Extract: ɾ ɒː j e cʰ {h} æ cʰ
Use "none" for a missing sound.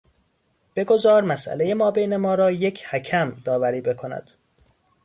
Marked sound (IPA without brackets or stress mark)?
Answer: h